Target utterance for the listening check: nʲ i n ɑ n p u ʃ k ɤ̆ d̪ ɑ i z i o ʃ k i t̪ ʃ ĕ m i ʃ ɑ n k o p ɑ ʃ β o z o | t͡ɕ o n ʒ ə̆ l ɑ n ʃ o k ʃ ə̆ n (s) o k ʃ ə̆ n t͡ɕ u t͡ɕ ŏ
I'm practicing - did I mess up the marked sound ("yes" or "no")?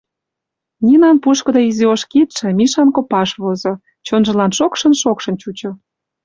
yes